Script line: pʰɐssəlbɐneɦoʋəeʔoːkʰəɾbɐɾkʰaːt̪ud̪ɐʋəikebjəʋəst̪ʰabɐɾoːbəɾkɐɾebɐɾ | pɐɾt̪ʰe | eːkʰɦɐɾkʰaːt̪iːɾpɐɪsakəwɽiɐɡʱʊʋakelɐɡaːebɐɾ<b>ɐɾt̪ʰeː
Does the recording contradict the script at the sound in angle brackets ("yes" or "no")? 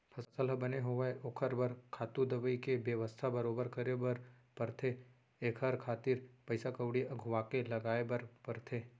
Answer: yes